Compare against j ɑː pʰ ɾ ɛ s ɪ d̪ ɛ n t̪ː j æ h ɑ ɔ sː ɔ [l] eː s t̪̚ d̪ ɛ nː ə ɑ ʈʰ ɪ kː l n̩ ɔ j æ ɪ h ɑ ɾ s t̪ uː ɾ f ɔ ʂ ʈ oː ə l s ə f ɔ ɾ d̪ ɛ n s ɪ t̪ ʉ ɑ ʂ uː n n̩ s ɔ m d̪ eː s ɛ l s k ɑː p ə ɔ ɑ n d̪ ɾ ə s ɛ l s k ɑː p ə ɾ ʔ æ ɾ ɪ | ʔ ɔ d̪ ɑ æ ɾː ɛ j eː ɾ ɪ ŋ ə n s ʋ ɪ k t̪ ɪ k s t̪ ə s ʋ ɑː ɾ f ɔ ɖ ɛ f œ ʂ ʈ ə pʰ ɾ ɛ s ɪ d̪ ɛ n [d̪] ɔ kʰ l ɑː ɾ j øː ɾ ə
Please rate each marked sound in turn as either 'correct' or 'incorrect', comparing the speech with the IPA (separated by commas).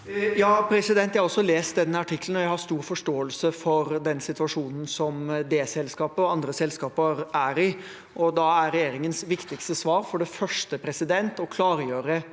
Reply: correct, incorrect